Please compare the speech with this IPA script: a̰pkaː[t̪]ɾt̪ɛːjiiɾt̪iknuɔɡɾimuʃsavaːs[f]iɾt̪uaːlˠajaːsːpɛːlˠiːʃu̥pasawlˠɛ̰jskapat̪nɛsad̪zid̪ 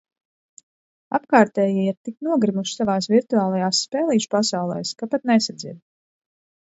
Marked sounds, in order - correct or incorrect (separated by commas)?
incorrect, incorrect